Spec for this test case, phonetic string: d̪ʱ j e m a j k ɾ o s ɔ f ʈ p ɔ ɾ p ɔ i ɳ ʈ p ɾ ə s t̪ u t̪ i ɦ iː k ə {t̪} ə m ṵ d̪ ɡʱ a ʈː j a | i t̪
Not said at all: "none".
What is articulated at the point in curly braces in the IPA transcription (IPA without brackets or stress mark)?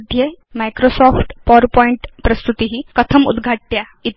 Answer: t̪ʰ